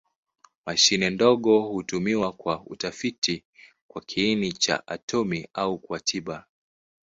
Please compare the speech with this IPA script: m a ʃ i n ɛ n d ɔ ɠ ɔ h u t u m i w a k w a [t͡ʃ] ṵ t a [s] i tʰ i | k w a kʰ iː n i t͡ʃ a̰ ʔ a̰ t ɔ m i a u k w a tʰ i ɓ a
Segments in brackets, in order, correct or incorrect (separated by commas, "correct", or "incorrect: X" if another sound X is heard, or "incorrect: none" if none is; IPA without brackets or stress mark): incorrect: none, incorrect: f